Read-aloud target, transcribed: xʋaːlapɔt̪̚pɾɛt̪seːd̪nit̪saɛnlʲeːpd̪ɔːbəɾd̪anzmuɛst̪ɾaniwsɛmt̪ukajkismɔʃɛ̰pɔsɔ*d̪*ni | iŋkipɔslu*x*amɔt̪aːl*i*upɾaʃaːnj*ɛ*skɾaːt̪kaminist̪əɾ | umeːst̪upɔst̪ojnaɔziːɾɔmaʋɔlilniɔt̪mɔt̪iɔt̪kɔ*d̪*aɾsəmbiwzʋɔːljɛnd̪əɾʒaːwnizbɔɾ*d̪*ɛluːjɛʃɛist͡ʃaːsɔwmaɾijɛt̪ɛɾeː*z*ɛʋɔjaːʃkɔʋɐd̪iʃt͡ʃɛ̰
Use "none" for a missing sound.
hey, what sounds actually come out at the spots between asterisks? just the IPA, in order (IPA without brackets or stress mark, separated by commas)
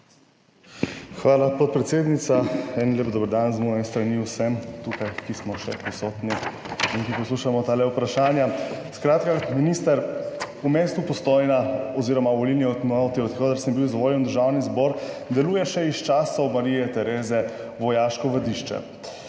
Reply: t̪, ʃ, ɛ, a, d̪, d̪, z